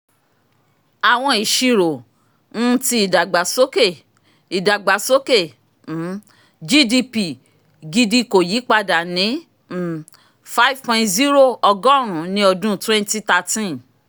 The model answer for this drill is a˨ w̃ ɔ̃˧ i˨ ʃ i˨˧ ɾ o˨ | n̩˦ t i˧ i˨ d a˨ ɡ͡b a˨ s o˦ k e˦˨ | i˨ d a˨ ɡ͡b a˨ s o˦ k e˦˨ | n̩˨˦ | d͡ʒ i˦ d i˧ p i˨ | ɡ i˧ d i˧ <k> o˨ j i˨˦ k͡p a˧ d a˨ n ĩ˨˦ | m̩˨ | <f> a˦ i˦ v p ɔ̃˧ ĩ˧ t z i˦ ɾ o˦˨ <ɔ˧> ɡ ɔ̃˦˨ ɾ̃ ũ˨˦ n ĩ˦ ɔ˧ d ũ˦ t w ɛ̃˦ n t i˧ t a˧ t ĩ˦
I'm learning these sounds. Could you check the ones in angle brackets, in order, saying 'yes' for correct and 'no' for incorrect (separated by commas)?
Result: yes, yes, yes